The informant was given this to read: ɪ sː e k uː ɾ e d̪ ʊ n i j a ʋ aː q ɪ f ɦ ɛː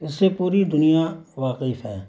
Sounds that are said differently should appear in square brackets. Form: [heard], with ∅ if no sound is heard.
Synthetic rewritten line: ɪ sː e [p] uː ɾ [i] d̪ ʊ n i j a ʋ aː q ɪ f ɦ ɛː

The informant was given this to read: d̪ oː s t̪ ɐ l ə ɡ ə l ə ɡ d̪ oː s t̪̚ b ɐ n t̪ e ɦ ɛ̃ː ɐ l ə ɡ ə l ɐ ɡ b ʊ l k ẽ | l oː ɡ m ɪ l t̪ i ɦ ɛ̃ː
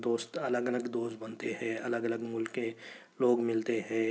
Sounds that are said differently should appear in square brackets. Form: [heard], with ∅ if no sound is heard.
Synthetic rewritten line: d̪ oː s t̪ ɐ l ə ɡ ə l ə ɡ d̪ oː s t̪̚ b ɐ n t̪ e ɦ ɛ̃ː ɐ l ə ɡ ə l [ə] ɡ [m] ʊ l k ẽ | l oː ɡ m ɪ l t̪ [e] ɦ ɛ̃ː

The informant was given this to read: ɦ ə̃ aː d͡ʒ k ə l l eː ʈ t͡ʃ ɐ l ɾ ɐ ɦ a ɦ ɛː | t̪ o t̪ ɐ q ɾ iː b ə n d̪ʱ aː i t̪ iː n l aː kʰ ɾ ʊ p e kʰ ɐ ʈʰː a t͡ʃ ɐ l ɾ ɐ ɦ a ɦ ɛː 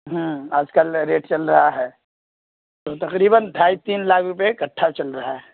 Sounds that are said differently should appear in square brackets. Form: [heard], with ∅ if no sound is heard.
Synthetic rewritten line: ɦ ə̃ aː d͡ʒ k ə l [ɾ] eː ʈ t͡ʃ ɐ l ɾ ɐ ɦ a ɦ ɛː | t̪ o t̪ ɐ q ɾ iː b ə n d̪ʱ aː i t̪ iː n l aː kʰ ɾ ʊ p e [k] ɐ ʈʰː a t͡ʃ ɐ l ɾ ɐ ɦ a ɦ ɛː

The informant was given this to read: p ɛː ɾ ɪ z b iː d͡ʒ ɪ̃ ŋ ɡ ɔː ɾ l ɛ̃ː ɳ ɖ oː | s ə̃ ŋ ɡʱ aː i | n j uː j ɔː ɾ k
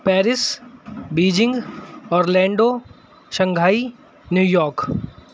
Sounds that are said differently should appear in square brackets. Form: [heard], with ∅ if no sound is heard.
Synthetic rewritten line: p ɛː ɾ ɪ [s] b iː d͡ʒ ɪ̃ ŋ ɡ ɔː ɾ l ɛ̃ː ɳ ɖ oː | [ʃ] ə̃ ŋ ɡʱ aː i | n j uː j ɔː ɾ k

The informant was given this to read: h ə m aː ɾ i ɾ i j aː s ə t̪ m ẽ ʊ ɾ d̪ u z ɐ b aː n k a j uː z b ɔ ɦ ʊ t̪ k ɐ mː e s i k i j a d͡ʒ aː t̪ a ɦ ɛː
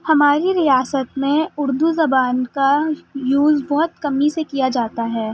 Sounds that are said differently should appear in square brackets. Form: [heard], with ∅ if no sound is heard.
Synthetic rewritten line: h [ɐ] m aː ɾ i ɾ i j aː s ə t̪ m ẽ ʊ ɾ d̪ u z ɐ b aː n k a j uː z b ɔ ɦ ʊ t̪ k ɐ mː [i] s [e] k i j a d͡ʒ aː t̪ a ɦ ɛː

